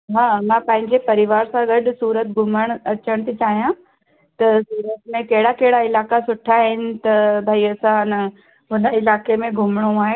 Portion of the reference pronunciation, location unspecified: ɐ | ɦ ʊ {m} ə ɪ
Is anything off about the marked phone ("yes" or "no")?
yes